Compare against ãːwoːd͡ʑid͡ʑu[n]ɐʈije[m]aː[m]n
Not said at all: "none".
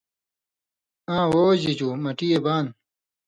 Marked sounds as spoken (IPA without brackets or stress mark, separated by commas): m, b, none